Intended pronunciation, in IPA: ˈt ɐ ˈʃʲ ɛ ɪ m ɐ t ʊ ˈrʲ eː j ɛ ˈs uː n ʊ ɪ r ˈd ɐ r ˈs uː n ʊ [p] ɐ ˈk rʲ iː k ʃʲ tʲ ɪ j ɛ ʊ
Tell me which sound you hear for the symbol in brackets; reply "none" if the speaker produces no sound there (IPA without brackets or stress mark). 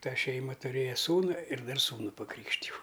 p